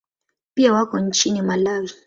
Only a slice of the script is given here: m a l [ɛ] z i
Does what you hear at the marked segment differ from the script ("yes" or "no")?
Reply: yes